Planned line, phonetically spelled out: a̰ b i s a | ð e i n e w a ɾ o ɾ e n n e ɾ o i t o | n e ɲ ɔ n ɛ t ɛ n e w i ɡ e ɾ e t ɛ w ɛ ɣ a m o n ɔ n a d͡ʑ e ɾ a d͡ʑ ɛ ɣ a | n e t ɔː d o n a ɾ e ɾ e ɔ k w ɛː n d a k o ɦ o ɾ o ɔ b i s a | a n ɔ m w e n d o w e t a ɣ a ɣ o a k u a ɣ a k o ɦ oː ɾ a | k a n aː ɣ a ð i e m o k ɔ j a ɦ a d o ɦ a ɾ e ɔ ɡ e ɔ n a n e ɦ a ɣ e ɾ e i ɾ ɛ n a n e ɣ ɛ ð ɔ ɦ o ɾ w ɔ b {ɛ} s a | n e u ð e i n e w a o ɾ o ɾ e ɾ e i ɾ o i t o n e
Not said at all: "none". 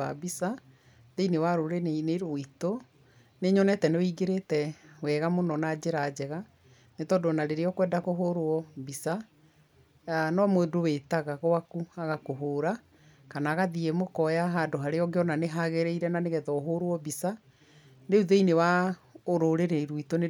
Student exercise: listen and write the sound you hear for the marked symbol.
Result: i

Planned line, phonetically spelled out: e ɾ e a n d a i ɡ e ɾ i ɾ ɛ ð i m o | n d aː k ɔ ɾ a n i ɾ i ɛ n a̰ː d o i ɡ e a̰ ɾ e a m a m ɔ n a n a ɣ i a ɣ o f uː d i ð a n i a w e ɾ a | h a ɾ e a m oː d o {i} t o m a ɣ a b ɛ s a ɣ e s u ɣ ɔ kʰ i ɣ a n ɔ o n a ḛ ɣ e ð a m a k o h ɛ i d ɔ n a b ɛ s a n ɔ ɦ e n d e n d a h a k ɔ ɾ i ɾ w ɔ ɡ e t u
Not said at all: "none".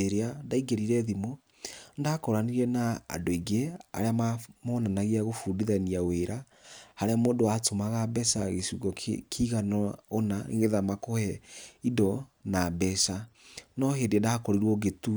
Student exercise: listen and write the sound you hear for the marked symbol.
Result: a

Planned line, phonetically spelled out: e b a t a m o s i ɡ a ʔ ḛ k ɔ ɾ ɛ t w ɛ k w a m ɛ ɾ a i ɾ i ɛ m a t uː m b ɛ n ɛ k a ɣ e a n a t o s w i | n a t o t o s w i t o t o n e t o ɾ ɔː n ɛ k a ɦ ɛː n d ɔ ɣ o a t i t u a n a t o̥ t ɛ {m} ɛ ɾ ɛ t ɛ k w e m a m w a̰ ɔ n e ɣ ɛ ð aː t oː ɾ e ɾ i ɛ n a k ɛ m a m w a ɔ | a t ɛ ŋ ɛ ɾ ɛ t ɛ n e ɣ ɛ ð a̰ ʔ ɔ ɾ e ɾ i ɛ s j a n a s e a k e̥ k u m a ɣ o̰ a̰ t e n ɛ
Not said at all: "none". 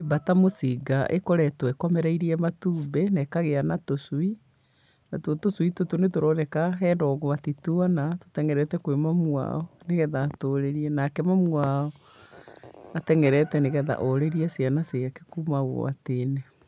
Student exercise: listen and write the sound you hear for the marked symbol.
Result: ŋ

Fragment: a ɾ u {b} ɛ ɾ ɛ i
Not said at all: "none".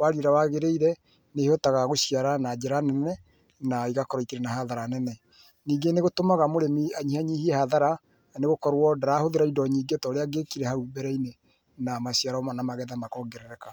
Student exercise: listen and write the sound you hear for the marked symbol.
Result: b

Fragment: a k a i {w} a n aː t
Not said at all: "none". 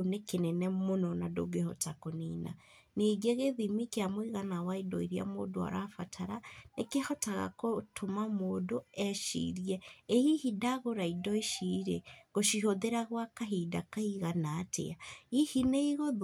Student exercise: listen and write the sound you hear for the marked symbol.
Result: ɣ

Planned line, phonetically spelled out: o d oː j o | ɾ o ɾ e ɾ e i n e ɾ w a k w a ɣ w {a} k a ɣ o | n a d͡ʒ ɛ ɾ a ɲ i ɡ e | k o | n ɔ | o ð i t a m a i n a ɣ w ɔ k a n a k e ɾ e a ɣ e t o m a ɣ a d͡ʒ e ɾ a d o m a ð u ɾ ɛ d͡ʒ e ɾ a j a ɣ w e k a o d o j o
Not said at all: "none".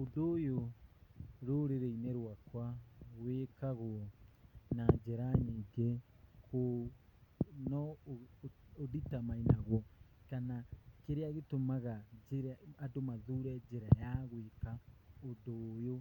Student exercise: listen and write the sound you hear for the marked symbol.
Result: e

